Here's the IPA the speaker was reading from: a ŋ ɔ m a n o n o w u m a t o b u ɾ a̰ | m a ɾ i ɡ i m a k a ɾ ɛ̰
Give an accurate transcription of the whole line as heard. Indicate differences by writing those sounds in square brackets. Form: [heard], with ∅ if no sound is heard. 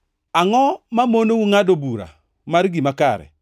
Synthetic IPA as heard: a ŋ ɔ m a [m] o n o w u [ŋ] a [d] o b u ɾ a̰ | m a ɾ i ɡ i m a k a ɾ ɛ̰